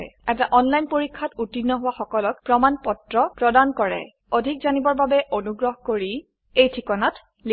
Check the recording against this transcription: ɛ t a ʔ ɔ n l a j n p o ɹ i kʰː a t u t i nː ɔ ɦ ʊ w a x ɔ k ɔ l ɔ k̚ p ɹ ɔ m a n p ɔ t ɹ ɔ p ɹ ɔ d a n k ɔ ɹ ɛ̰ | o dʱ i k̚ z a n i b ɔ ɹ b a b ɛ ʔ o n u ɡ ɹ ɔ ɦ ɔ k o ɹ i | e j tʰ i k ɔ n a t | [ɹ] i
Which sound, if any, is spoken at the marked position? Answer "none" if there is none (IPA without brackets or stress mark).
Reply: l